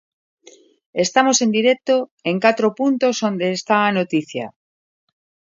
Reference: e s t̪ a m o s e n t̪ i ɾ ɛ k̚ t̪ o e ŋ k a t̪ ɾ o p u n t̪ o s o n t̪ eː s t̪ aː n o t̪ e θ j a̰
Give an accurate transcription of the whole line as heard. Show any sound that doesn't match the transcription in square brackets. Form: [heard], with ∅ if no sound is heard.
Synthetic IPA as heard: e s t̪ a m o s e n [d̪] i ɾ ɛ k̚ t̪ o e ŋ k a t̪ ɾ o p u n t̪ o s o n [d̪] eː s t̪ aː n o t̪ [i] θ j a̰